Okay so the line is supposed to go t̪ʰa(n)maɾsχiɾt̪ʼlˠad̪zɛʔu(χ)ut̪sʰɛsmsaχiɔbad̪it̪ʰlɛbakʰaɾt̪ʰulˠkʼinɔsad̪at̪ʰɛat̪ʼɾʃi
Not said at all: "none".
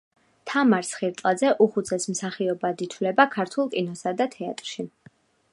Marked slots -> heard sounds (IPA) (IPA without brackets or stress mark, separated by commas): none, χ